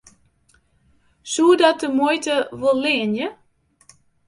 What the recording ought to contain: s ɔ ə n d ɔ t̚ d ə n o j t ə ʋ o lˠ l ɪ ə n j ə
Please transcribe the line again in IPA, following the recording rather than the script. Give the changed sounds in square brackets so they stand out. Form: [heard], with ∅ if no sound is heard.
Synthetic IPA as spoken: s [u] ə [∅] d ɔ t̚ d ə [m] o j t ə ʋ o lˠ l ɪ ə n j ə